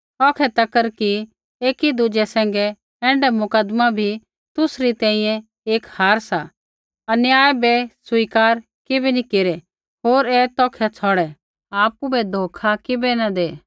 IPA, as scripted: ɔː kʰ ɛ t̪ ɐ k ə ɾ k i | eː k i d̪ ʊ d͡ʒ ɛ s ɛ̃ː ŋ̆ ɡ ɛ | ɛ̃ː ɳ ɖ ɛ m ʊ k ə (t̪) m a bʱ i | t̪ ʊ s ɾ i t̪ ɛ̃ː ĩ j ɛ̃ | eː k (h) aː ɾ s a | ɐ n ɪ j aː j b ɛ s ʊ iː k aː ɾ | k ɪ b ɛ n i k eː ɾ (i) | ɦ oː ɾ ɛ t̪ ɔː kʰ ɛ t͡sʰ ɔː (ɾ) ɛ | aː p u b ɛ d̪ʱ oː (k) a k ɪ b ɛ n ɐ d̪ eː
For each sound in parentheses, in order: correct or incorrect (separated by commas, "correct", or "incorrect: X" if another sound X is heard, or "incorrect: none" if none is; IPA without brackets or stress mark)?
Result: incorrect: d̪, correct, incorrect: ɛ, incorrect: ɽ, incorrect: kʰ